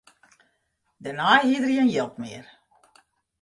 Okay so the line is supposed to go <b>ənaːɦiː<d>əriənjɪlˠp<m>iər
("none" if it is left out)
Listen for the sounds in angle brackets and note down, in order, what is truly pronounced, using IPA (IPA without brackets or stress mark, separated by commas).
d, d, m